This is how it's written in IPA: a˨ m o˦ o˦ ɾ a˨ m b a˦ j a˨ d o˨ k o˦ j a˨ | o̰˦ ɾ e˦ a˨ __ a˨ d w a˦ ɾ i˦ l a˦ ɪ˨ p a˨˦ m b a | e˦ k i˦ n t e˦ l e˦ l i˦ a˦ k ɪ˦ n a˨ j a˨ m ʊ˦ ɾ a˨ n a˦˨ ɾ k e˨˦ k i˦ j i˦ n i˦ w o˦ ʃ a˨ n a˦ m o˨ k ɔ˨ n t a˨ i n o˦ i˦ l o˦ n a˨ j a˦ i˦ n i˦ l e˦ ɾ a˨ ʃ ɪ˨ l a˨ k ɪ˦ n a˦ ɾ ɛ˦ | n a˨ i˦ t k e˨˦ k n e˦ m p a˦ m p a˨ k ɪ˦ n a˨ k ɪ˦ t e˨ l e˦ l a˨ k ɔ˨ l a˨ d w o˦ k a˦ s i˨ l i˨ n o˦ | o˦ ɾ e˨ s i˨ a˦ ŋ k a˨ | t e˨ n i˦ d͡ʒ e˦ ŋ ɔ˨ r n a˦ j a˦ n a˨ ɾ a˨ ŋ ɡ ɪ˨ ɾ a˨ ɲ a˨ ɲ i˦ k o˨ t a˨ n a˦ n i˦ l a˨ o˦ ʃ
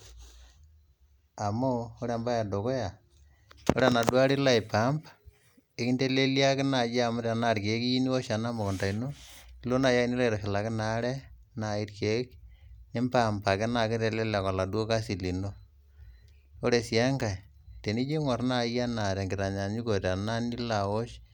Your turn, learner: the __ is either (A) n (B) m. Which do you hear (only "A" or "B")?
A